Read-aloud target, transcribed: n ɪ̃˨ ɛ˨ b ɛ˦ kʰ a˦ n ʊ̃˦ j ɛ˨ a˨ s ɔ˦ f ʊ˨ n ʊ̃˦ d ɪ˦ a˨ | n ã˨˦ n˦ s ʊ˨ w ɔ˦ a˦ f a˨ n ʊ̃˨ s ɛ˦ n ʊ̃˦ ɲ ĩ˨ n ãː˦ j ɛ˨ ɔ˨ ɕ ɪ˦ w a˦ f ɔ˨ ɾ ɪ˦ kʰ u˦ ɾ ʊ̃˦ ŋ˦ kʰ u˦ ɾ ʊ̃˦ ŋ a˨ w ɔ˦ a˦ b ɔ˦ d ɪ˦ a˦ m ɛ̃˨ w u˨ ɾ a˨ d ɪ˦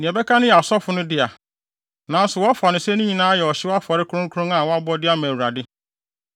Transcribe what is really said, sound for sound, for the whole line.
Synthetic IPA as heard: n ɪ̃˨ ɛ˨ b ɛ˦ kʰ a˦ n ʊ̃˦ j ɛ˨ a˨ s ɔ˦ f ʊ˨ n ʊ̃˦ d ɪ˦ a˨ | n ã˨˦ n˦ s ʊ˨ w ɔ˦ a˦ f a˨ n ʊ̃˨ s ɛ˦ n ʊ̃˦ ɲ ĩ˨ n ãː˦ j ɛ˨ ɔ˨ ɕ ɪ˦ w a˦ f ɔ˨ ɾ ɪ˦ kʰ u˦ ɾ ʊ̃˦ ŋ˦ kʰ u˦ ɾ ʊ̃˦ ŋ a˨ w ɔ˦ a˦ b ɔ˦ d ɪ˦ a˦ m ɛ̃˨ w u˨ ɾ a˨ d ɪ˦